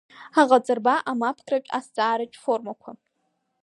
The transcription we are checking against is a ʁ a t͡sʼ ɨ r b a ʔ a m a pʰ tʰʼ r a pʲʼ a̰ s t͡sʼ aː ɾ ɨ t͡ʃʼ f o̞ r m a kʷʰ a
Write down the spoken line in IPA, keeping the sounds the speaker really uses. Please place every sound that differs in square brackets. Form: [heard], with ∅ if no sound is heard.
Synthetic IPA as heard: a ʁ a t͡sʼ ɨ r b a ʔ a m a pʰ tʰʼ r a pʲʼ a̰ s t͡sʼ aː ɾ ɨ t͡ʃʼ f o̞ r m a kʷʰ a